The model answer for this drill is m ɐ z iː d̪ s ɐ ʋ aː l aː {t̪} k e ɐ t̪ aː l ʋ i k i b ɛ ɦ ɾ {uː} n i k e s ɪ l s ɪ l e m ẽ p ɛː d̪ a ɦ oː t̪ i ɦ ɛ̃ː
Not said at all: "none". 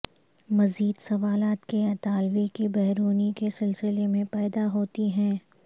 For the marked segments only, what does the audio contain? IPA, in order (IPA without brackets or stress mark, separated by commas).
t̪, uː